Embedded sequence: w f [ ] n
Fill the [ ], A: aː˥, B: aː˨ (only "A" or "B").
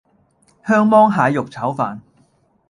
B